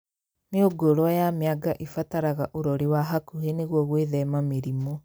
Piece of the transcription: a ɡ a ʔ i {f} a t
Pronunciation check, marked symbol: correct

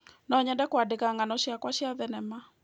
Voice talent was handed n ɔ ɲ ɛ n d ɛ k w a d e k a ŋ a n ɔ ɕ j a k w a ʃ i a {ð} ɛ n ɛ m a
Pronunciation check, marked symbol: correct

